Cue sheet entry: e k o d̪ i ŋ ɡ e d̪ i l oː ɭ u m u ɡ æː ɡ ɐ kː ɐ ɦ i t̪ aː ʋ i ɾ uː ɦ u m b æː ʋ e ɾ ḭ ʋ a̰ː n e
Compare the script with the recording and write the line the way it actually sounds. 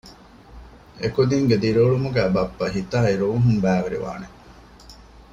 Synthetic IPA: e k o d̪ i ŋ ɡ e d̪ i ɾ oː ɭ u m u ɡ æː b ɐ pː ɐ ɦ i t̪ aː i ɾ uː ɦ u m b æː ʋ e ɾ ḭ ʋ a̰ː n e